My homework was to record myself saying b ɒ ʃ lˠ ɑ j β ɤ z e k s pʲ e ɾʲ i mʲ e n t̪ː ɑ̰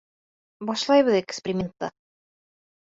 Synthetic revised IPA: b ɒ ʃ lˠ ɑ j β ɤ ð e k s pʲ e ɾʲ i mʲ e n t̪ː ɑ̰